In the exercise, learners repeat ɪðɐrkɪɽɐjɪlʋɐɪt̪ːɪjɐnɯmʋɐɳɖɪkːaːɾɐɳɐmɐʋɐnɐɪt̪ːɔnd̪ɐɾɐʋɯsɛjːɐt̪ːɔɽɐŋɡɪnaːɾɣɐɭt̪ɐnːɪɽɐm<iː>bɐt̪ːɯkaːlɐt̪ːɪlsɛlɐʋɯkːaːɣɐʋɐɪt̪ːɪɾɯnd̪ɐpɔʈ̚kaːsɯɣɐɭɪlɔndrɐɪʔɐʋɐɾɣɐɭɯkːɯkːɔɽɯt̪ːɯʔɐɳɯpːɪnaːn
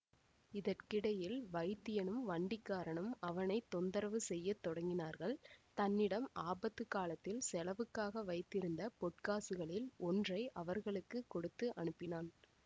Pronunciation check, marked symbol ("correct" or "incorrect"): incorrect